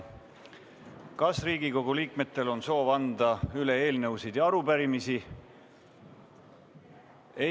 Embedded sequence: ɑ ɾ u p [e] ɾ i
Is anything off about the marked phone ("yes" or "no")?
yes